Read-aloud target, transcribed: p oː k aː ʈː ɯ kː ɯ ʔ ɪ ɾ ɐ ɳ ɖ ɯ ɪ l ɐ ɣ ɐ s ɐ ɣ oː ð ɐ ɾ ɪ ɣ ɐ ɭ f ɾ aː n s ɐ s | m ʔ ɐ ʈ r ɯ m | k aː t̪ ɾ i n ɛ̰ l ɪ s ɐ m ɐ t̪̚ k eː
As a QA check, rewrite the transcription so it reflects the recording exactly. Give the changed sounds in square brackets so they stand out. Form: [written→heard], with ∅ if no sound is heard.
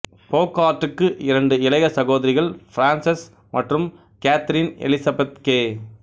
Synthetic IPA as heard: p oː k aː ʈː ɯ kː ɯ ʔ ɪ ɾ ɐ ɳ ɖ ɯ ɪ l ɐ ɣ ɐ s ɐ ɣ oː ð ɐ ɾ ɪ ɣ ɐ ɭ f ɾ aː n s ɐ s | m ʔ ɐ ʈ r ɯ m | k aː t̪ ɾ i n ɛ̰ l ɪ s ɐ [m→b] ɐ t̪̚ k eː